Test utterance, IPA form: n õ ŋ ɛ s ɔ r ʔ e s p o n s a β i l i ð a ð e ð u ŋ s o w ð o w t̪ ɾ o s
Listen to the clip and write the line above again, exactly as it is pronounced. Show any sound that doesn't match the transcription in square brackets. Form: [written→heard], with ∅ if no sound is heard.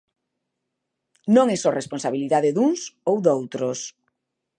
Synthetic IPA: n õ ŋ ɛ s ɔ r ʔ e s p o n s a β i l i ð a ð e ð u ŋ s o w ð o w t̪ ɾ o s